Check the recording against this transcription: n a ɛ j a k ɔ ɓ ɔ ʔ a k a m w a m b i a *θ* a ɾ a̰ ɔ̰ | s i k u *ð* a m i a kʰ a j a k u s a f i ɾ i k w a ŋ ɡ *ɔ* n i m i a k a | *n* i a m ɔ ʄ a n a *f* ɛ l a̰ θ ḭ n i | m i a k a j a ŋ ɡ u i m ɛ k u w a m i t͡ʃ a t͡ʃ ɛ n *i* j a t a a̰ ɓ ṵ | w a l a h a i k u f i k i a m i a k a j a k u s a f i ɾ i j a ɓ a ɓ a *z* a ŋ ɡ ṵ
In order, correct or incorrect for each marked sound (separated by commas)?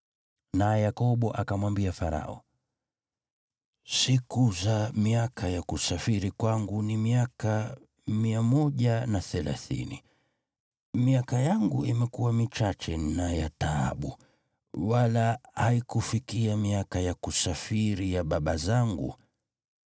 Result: incorrect, incorrect, incorrect, incorrect, incorrect, incorrect, correct